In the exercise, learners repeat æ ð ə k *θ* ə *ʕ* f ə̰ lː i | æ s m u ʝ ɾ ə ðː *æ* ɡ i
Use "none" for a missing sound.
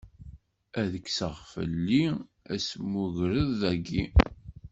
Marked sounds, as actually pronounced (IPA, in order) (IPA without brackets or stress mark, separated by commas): s, ʁ, æ